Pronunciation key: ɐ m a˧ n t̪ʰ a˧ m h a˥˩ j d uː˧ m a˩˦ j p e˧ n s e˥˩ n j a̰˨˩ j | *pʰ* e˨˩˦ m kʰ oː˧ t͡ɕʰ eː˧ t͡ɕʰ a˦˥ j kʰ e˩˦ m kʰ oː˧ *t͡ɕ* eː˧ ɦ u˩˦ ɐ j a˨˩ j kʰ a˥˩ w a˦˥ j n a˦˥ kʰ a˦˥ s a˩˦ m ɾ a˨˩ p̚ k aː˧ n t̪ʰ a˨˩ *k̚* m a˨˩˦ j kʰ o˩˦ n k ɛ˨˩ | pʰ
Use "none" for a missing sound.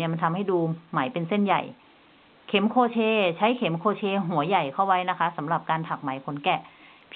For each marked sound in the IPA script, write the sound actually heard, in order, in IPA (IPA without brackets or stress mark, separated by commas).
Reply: kʰ, t͡ɕʰ, k̚